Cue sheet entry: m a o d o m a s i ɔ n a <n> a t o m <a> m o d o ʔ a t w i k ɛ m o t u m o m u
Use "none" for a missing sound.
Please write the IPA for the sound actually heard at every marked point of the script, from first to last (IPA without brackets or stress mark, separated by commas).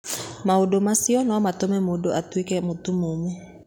m, ɛ